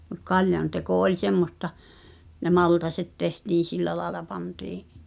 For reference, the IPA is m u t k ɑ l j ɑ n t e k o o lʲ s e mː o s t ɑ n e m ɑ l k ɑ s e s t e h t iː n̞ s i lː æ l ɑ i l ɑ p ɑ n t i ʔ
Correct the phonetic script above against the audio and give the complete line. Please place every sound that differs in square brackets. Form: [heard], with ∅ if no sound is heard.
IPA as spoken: m u t k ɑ l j ɑ n t e k o o lʲ s e mː o s t ɑ n e m ɑ l [t] ɑ s e [t] t e h t iː n̞ s i lː æ l ɑ [e] l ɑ p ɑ n t [iː] ʔ